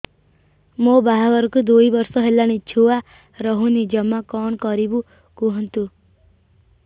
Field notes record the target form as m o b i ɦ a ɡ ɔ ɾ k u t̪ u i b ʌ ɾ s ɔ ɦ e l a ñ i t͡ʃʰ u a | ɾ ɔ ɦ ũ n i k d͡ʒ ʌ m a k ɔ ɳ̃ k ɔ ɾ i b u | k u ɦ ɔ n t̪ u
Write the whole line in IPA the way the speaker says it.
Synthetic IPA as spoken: m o b a ɦ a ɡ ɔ ɾ k u d̪ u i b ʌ ɾ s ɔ ɦ e l a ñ i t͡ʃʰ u a | ɾ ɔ ɦ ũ n i d͡ʒ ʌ m a k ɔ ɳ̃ k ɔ ɾ i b u | k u ɦ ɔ n t̪ u